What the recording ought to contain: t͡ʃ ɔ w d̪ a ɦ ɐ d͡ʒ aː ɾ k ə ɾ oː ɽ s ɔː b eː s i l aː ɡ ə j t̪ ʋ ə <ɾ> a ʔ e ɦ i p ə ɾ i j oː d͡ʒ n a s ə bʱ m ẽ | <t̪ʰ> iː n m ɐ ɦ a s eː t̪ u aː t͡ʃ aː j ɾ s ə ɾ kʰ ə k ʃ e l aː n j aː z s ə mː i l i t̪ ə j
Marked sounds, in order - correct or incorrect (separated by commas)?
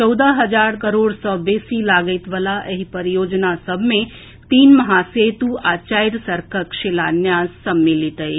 incorrect, incorrect